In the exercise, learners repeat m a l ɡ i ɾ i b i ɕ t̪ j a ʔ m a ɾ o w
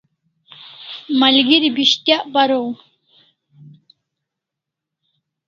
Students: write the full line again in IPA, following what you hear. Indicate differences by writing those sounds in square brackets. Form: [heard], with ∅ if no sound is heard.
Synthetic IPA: m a l ɡ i ɾ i b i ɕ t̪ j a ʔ [b] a ɾ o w